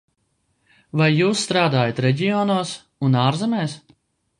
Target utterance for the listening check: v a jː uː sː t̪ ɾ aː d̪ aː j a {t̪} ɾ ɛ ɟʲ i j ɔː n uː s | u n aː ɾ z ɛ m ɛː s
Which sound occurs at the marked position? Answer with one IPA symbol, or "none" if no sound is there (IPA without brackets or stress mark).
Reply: t̪